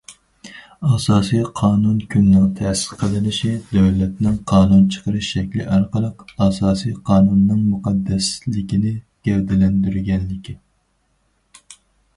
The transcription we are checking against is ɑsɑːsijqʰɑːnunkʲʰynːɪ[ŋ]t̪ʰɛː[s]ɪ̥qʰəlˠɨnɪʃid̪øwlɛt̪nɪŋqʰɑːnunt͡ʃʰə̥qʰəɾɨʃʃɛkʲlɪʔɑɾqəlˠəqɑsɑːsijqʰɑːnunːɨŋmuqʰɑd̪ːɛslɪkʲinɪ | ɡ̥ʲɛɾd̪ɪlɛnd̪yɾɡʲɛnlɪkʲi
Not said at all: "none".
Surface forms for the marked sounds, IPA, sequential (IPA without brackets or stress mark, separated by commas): ŋ, s